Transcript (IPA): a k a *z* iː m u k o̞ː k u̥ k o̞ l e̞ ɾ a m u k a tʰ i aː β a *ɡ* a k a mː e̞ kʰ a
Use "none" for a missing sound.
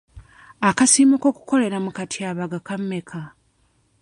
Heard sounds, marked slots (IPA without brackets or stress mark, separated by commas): s, ɡ